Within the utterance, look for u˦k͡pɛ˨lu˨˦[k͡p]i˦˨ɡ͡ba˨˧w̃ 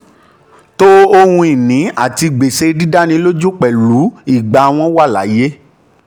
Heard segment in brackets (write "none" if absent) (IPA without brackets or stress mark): none